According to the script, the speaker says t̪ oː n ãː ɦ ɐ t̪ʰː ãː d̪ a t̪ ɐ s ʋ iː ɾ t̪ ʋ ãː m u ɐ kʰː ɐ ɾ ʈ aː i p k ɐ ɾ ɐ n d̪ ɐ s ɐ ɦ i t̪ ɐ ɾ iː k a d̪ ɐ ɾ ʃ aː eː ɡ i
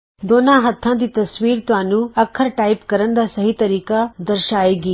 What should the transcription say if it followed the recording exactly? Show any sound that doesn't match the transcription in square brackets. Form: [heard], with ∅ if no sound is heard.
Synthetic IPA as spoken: [d̪] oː n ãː ɦ ɐ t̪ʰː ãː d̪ [i] t̪ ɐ s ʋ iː ɾ t̪ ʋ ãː [n] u ɐ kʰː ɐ ɾ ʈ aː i p k ɐ ɾ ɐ n d̪ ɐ s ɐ ɦ i t̪ ɐ ɾ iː k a d̪ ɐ ɾ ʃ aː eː ɡ i